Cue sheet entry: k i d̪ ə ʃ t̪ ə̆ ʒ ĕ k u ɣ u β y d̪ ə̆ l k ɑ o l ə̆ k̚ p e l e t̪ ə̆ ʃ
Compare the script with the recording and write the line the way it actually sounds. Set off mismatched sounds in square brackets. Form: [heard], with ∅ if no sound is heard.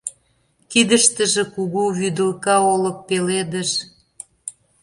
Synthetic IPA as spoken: k i d̪ ə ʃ t̪ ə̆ ʒ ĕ k u ɣ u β y d̪ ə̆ l k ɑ o l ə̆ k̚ p e l e [d̪] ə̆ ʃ